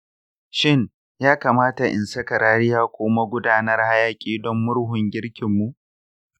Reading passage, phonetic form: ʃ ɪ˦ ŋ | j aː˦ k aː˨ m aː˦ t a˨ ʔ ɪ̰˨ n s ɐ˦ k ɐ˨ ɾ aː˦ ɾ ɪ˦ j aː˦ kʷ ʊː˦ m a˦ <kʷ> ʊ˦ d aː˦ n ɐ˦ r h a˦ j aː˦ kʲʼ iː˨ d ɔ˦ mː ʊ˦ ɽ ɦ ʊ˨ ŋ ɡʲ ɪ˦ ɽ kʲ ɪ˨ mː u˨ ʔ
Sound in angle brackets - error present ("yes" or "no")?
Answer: yes